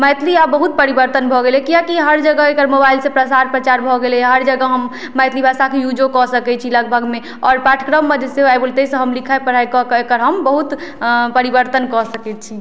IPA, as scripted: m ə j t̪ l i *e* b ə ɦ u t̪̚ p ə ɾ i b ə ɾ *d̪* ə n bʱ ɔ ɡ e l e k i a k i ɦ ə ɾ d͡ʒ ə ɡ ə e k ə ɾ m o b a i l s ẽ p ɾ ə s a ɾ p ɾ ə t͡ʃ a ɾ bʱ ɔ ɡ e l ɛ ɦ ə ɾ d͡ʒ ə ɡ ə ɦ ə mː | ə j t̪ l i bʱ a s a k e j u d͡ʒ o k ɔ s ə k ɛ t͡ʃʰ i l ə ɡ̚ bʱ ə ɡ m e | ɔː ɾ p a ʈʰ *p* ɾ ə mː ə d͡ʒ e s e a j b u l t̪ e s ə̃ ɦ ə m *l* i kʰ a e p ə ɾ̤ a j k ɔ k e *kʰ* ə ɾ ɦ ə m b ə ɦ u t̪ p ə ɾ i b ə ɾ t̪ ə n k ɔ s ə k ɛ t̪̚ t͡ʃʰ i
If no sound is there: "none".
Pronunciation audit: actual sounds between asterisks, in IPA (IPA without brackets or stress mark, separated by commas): a, t̪, k, l, k